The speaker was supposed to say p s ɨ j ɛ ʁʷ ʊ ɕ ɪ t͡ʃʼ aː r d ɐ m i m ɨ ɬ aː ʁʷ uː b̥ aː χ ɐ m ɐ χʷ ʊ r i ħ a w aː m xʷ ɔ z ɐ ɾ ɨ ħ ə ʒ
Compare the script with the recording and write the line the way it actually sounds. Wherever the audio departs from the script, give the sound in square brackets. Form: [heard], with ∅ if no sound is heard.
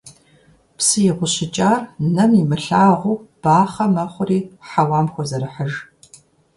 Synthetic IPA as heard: p s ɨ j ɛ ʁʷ ʊ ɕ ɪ t͡ʃʼ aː r [n] ɐ m i m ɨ ɬ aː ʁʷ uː b̥ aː χ ɐ m ɐ χʷ ʊ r [iː] ħ a w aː m xʷ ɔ z ɐ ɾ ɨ ħ ə ʒ